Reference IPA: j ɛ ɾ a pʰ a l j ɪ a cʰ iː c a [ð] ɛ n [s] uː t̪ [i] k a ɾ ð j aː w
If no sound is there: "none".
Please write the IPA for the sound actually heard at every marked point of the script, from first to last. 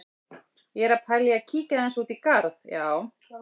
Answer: ð, s, i

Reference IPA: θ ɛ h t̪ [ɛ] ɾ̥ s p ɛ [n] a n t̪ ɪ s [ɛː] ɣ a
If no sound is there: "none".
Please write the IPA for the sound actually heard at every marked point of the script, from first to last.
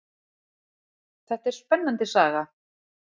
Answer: ɛ, nː, aː

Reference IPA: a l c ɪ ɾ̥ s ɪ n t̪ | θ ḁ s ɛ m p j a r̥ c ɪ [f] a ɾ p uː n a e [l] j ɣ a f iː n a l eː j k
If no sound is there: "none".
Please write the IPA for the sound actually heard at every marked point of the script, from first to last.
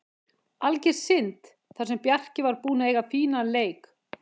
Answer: v, none

